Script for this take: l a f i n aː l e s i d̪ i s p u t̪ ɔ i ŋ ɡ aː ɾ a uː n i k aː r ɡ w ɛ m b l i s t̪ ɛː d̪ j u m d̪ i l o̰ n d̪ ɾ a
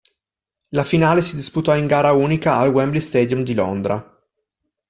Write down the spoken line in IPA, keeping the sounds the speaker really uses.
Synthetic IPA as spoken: l a f i n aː l e s i d̪ i s p u t̪ ɔ i ŋ ɡ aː ɾ a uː n i k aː l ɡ w ɛ m b l i s t̪ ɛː d̪ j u m d̪ i l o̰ n d̪ ɾ a